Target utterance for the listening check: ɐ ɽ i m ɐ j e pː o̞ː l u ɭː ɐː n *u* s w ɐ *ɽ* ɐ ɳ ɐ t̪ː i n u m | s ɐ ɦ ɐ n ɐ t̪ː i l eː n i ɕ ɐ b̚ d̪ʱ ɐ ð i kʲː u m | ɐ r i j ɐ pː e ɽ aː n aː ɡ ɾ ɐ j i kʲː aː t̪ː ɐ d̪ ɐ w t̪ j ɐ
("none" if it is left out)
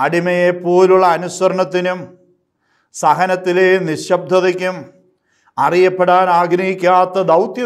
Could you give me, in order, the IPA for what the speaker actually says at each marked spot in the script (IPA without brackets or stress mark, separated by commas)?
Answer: u, ɾ